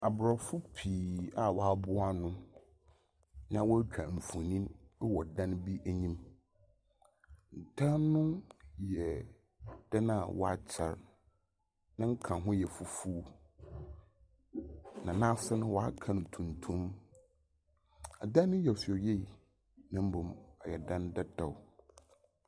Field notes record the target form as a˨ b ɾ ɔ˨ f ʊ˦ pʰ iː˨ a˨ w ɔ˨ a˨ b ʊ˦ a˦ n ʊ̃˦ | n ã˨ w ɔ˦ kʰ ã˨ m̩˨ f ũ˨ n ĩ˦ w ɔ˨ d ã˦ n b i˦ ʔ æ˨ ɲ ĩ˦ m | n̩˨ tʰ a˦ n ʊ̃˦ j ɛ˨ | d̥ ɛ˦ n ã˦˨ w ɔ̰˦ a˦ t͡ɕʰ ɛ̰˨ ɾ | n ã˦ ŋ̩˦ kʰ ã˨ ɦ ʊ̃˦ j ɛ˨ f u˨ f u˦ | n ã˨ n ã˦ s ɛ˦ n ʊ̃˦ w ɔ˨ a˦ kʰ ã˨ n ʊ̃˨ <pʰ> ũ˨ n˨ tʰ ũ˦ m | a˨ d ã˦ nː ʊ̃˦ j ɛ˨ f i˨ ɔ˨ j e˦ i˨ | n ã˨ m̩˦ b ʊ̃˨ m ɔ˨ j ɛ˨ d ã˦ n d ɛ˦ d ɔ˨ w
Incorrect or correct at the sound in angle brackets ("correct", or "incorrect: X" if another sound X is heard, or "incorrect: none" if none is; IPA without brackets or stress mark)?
incorrect: tʰ